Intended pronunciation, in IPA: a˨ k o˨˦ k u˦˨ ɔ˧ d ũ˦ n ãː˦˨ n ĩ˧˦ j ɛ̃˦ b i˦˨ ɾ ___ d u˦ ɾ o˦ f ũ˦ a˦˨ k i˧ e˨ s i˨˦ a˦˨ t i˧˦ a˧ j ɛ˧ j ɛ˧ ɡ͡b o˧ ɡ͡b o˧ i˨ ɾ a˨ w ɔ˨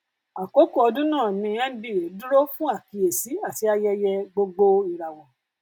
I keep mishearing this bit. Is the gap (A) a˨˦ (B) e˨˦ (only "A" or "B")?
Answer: B